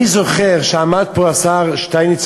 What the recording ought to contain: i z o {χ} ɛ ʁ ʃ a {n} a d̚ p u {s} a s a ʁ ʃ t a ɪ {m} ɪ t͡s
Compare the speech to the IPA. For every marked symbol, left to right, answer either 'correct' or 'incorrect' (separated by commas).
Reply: correct, incorrect, incorrect, incorrect